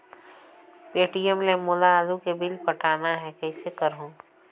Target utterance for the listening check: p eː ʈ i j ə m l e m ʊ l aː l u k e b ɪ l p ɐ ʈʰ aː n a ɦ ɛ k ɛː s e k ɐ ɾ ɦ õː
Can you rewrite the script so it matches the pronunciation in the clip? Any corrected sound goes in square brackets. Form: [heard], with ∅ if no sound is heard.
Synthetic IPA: p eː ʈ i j ə m l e m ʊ l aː l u k e b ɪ l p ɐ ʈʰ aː n a ɦ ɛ k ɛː s e k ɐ ɾ ɦ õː